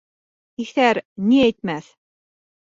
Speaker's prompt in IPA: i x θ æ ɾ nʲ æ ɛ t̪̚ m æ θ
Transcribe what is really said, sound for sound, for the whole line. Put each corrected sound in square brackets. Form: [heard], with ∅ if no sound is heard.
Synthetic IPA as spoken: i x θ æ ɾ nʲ [i] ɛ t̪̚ m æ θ